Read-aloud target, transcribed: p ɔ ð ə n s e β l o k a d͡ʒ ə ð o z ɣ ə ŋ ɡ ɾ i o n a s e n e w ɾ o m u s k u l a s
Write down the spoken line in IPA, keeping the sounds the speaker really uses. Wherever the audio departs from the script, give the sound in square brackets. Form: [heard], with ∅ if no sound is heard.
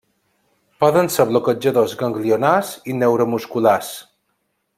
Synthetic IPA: p ɔ ð ə n s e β l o k [ə] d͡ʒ ə ð o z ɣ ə ŋ ɡ [l] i o n a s [i] n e w ɾ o m u s k u l a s